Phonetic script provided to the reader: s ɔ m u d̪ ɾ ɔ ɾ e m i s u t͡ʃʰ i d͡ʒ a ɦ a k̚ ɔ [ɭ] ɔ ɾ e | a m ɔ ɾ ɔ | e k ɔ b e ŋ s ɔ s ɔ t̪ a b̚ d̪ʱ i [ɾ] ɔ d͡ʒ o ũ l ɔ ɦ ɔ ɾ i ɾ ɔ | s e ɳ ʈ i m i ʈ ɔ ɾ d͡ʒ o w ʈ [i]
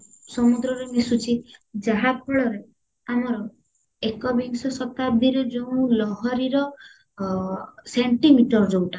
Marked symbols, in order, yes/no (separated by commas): yes, yes, no